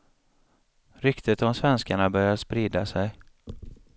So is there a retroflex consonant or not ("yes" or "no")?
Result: yes